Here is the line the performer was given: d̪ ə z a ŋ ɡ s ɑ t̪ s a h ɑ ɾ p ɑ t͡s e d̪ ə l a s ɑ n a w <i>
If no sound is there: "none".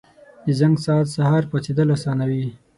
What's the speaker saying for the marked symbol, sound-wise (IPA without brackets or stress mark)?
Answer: i